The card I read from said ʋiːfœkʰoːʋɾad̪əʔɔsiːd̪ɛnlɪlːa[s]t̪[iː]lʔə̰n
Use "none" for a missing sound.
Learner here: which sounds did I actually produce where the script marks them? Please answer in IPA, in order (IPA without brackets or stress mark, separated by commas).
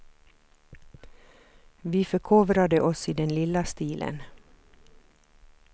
s, iː